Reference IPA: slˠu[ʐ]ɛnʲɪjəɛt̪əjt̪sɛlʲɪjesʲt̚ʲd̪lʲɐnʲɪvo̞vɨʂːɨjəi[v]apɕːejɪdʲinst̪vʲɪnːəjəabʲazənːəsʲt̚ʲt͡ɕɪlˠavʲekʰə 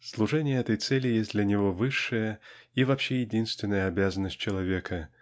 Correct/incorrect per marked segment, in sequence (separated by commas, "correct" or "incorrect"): correct, correct